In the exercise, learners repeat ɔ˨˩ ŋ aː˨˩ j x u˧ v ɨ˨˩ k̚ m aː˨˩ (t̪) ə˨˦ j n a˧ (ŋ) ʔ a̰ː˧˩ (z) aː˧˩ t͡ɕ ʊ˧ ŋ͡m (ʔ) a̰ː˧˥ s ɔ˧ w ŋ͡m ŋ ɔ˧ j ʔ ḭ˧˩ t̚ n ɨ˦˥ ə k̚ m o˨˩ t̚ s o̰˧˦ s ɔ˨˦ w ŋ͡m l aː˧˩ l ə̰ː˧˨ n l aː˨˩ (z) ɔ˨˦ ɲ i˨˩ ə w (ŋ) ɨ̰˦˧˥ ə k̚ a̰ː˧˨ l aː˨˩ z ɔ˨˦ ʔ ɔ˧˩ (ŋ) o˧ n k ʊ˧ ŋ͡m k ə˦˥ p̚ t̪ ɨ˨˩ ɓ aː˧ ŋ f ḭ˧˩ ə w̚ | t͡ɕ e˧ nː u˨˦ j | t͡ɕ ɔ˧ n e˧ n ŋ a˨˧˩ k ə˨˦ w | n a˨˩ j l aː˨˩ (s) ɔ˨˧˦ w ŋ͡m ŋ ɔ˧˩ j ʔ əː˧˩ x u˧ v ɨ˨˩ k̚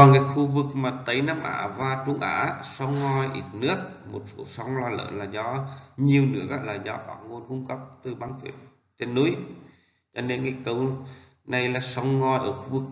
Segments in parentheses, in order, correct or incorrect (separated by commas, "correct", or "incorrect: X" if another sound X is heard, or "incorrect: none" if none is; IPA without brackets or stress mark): correct, incorrect: m, incorrect: v, correct, correct, incorrect: n, correct, correct